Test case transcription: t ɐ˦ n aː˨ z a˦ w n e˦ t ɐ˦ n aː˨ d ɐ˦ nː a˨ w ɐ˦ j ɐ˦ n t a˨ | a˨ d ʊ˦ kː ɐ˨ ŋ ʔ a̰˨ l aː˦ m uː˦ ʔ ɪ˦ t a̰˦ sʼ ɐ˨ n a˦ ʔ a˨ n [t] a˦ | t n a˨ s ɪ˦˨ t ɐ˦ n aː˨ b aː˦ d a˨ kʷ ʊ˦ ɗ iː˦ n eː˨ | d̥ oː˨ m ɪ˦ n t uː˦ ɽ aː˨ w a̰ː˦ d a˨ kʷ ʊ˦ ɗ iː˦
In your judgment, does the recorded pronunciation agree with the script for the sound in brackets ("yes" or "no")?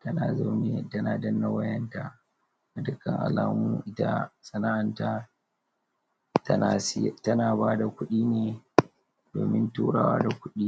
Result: yes